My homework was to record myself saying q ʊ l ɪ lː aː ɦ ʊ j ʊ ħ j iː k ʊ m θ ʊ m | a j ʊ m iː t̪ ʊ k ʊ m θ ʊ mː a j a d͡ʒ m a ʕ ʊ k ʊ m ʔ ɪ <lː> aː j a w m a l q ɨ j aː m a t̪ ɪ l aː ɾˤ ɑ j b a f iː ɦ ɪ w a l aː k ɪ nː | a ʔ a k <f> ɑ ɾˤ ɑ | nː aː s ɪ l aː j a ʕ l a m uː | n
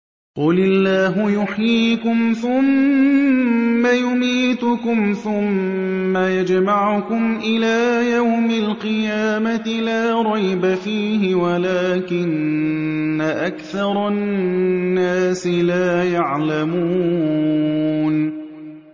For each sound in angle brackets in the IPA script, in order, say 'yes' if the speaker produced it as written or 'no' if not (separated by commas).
no, no